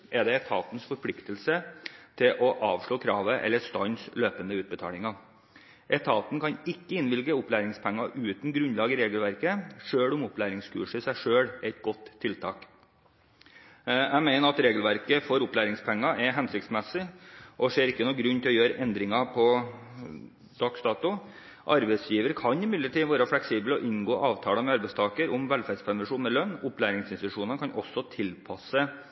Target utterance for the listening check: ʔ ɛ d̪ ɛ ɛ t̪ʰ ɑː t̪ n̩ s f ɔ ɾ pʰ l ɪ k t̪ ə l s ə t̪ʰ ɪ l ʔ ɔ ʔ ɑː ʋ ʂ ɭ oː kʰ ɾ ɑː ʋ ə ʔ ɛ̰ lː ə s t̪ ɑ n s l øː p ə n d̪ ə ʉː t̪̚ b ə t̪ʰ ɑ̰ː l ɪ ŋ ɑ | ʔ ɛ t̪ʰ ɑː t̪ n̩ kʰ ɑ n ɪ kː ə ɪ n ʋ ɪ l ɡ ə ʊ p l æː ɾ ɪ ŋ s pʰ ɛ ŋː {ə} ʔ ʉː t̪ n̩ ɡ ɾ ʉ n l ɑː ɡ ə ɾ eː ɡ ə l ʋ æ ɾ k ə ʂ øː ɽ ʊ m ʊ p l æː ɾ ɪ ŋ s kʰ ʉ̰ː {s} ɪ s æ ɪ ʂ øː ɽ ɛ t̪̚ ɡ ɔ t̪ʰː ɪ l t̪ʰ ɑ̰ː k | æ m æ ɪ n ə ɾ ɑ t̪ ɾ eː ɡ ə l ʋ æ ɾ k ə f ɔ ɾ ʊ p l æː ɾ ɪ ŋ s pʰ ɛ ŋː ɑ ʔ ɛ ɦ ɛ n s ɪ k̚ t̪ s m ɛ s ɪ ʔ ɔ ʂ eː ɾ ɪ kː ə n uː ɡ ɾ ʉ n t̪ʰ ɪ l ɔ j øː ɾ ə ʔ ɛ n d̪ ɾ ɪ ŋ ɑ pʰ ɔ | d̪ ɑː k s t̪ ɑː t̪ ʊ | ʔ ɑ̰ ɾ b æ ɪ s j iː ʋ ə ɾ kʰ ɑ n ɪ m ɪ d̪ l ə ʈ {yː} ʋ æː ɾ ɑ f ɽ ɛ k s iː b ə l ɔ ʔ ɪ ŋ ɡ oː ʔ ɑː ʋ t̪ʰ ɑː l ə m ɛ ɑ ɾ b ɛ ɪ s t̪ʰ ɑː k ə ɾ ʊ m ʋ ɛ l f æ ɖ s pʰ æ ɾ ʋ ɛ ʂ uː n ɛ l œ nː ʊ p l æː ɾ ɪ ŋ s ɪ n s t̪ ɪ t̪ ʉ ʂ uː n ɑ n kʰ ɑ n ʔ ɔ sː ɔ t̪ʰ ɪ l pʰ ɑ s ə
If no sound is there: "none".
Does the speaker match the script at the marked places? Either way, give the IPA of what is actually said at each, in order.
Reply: ɑ, ʂ, iː

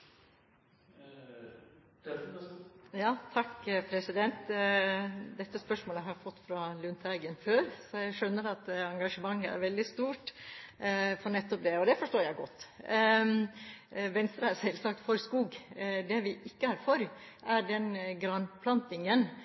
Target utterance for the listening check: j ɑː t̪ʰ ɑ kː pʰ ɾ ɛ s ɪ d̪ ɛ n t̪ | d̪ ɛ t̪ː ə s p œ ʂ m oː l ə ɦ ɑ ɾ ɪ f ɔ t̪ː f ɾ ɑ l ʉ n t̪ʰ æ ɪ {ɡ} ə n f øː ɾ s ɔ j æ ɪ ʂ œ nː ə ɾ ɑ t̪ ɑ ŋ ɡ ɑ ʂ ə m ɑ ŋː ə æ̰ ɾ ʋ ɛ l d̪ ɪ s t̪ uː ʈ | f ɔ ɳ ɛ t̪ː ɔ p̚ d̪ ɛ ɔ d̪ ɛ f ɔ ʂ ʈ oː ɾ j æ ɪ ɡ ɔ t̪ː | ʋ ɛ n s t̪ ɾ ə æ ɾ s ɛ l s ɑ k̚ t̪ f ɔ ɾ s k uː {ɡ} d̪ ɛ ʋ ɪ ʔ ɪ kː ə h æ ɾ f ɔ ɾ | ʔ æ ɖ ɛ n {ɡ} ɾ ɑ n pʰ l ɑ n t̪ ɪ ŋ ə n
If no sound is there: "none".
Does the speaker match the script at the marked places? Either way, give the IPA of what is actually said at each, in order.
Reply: ɡ, ɡ, ɡ

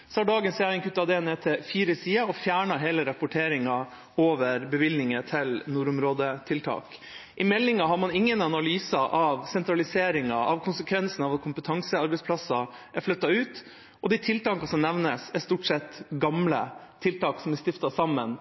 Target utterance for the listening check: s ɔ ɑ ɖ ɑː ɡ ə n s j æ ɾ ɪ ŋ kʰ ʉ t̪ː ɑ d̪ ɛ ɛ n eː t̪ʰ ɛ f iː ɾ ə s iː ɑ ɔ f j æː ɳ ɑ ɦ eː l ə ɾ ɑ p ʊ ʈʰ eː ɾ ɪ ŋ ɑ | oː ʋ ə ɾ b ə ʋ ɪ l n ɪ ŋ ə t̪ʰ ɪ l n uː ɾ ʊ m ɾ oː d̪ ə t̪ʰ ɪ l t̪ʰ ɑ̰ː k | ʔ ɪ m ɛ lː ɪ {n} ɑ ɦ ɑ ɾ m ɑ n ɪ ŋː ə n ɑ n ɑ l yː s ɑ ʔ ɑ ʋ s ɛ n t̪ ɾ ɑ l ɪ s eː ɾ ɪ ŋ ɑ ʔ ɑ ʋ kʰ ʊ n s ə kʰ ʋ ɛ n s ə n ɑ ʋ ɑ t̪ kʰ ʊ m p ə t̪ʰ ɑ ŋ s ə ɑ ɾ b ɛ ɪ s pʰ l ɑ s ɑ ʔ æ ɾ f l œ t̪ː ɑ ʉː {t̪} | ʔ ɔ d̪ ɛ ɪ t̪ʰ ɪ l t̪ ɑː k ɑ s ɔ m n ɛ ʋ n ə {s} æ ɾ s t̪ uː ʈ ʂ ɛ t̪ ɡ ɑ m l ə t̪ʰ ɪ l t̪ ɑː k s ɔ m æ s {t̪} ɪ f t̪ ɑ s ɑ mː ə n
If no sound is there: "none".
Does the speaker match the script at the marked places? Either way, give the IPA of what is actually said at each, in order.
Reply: ŋ, t̪, s, t̪

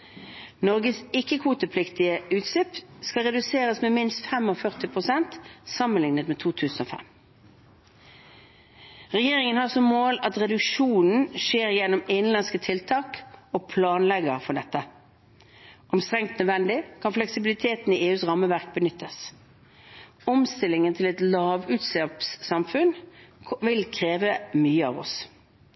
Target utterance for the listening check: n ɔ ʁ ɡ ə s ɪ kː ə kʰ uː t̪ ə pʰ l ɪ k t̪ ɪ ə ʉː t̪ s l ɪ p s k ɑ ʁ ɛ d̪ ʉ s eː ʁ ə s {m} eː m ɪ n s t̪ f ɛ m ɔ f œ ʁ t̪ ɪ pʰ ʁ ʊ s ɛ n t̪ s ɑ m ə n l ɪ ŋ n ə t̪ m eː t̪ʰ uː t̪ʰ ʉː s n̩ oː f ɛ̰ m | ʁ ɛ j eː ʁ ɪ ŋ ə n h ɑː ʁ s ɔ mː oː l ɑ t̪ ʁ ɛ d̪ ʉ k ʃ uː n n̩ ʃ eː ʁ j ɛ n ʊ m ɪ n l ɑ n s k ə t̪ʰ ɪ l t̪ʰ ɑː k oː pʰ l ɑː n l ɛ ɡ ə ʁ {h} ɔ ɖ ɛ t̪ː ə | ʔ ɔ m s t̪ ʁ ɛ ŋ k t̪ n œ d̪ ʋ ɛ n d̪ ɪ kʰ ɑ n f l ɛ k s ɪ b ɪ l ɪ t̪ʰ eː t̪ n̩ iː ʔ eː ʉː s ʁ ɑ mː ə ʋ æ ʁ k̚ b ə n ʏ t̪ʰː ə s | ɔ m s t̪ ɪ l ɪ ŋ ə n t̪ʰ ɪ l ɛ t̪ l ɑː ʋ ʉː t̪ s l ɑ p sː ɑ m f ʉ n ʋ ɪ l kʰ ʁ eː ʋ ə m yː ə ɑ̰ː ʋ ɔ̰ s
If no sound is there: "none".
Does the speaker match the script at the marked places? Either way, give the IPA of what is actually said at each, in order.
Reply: m, f

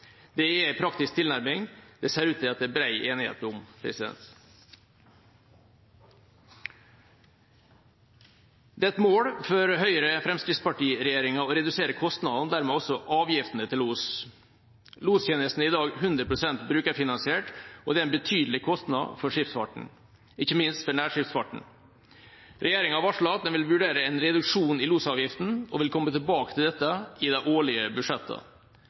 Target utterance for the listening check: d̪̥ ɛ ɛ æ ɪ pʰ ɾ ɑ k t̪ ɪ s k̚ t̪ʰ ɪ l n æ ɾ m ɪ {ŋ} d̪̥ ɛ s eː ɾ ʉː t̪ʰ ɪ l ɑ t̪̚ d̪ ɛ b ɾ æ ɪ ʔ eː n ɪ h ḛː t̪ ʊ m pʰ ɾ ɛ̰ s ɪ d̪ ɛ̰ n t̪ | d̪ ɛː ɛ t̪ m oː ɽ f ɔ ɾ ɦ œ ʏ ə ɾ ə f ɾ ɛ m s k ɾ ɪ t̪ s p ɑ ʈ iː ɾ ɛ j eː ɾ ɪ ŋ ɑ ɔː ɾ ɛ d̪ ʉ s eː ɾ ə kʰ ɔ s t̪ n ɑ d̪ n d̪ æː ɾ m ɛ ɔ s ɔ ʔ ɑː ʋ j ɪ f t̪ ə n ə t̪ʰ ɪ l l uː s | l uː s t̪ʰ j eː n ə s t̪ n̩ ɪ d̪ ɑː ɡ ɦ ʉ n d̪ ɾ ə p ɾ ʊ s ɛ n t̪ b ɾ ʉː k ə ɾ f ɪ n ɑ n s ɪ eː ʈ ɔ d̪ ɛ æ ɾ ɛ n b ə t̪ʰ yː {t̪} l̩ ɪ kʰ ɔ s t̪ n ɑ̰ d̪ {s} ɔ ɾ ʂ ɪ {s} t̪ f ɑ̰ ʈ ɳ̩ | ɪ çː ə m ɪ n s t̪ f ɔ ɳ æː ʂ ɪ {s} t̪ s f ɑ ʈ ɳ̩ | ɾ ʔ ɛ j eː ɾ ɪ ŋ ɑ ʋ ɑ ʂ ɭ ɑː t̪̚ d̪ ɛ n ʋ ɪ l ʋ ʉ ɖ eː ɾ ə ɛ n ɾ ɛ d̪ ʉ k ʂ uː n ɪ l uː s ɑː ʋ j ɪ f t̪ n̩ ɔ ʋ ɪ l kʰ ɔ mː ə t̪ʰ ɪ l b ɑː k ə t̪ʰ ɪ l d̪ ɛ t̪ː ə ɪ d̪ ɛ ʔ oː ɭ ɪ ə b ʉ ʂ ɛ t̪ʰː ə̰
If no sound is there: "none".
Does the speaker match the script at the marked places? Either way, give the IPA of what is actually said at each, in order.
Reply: ŋ, d̪, f, f, f

